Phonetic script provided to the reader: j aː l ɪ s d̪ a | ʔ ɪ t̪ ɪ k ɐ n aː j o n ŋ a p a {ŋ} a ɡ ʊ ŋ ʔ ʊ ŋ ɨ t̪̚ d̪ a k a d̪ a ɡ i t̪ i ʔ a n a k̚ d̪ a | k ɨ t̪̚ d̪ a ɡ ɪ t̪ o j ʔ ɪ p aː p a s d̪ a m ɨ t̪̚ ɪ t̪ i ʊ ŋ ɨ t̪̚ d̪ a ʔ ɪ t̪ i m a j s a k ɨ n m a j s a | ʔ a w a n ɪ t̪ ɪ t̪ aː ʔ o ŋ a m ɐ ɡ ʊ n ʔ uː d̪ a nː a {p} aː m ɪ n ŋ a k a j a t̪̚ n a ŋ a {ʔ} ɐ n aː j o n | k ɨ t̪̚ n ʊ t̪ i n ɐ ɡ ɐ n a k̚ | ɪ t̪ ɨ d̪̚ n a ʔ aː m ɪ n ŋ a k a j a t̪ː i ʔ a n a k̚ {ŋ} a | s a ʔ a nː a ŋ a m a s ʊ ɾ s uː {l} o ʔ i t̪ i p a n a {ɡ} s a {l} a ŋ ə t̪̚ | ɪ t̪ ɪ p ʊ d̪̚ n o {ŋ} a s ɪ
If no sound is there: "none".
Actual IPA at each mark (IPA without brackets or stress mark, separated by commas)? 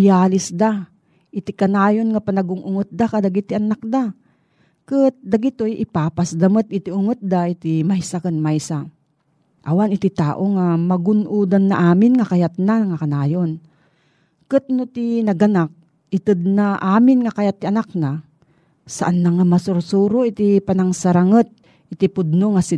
n, ʔ, k, n, ɾ, ŋ, ɾ, ŋ